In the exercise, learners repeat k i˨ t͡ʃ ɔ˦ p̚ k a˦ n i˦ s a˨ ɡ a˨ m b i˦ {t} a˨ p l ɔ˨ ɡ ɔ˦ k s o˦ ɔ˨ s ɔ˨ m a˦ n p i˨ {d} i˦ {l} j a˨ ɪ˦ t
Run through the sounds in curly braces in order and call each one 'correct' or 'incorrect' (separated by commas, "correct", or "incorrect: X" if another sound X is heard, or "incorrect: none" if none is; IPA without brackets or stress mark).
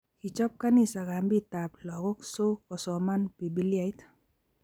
correct, incorrect: b, correct